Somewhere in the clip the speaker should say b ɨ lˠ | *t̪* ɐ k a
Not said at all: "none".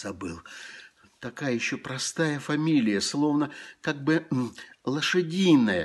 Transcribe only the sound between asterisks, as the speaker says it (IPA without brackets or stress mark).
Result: t̪